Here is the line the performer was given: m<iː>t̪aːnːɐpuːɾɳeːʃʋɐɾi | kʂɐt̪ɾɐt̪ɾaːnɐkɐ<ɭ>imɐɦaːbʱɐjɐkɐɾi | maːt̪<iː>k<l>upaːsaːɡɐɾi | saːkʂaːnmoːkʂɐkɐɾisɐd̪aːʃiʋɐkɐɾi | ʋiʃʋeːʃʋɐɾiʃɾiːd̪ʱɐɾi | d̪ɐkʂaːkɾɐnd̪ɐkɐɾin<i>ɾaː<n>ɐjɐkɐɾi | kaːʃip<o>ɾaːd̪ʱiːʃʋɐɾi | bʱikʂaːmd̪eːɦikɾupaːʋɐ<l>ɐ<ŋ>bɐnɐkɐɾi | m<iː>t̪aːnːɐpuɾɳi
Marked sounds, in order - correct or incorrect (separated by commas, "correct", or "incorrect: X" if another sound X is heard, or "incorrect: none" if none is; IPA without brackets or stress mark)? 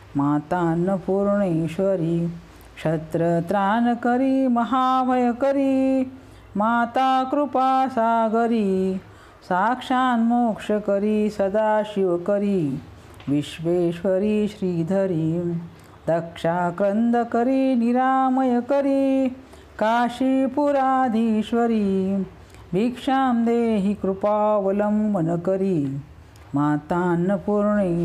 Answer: incorrect: aː, incorrect: ɾ, incorrect: aː, incorrect: ɾ, correct, incorrect: m, incorrect: u, correct, incorrect: m, incorrect: aː